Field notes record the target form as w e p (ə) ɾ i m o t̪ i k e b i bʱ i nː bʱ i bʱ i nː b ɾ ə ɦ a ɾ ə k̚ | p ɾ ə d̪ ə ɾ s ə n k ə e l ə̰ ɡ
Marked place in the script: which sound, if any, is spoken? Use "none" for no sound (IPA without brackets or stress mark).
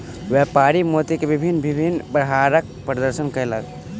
a